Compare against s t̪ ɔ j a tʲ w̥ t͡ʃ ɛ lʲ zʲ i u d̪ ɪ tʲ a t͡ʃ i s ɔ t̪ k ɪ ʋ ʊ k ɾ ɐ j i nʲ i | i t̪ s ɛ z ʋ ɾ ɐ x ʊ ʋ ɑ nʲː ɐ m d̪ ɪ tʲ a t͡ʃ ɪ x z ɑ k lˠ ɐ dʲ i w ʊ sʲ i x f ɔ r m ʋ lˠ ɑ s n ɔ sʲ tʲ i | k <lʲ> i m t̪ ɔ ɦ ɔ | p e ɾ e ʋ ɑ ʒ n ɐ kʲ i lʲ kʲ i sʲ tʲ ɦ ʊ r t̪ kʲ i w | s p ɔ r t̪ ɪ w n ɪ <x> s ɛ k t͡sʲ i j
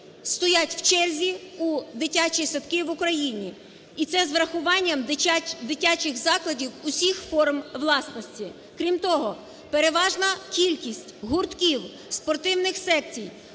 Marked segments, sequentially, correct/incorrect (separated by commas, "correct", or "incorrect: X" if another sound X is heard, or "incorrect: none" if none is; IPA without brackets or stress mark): incorrect: ɾʲ, correct